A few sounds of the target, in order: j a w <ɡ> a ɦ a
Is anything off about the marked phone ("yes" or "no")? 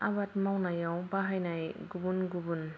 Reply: yes